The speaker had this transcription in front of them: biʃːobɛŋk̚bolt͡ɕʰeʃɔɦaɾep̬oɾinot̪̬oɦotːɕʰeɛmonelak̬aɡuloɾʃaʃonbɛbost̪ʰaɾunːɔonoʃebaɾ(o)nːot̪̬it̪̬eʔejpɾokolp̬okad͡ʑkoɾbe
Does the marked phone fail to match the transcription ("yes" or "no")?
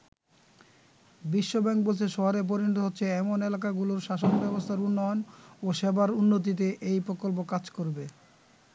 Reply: yes